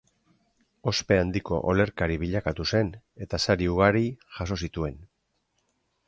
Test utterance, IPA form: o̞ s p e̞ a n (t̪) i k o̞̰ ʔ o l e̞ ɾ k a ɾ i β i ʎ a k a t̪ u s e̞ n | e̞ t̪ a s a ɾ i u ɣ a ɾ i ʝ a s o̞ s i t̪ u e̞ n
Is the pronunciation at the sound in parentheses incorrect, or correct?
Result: incorrect